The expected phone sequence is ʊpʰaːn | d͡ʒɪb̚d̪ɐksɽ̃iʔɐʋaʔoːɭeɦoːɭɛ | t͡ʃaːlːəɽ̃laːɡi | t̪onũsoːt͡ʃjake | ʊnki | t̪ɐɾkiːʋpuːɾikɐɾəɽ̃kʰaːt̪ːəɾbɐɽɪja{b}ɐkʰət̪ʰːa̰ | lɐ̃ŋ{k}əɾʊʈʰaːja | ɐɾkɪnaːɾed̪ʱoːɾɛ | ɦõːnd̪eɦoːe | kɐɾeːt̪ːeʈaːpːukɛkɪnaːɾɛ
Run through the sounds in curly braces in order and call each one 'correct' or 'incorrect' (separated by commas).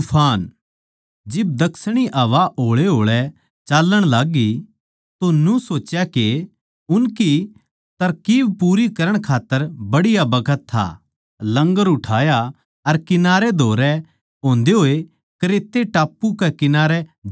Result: correct, incorrect